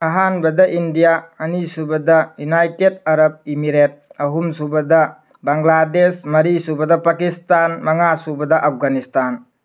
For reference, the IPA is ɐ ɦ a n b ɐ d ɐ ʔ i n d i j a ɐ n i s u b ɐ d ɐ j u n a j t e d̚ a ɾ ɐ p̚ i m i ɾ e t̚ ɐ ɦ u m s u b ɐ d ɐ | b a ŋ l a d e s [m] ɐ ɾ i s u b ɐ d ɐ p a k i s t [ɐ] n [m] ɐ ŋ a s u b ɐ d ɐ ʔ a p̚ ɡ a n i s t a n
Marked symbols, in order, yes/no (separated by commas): yes, no, yes